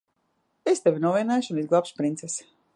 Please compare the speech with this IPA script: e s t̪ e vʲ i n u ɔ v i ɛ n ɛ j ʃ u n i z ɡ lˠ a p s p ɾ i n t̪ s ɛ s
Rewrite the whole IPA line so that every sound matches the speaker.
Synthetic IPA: e s t̪ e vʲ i n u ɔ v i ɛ n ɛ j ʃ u n i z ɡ lˠ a p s p ɾ i n t̪ s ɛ s